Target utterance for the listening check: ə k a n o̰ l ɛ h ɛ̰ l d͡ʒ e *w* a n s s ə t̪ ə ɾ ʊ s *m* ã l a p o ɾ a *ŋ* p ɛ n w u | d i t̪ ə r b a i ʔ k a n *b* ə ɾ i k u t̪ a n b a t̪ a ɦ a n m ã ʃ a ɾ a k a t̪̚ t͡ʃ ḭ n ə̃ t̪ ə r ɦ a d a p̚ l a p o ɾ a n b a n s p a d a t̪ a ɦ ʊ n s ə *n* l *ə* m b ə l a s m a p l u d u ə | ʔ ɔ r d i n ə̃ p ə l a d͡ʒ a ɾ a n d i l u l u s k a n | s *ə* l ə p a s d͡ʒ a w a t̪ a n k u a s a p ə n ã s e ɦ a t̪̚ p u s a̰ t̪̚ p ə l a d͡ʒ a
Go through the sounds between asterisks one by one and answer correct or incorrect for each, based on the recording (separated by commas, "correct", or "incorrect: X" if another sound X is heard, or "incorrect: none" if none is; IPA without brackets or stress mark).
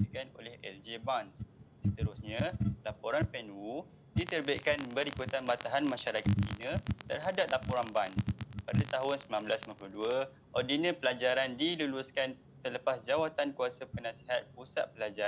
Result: incorrect: b, incorrect: ɲ, incorrect: n, correct, incorrect: m, incorrect: a, correct